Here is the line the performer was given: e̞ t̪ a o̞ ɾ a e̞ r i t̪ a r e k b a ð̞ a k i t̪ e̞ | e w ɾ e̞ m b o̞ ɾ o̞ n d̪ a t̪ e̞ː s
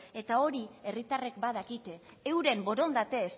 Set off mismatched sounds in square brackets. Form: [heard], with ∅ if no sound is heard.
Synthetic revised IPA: e̞ t̪ a o̞ ɾ [i] e̞ r i t̪ a r e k b a ð̞ a k i t̪ e̞ | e w ɾ e̞ m b o̞ ɾ o̞ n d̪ a t̪ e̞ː s